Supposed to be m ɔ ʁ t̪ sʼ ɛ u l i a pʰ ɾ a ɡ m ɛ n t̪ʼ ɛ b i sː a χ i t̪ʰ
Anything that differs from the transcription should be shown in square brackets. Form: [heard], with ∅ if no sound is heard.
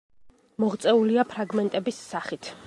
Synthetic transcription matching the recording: m ɔ ʁ t̪ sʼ ɛ u l i a pʰ ɾ a ɡ m ɛ n t̪ʼ ɛ b i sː a χ i t̪ʰ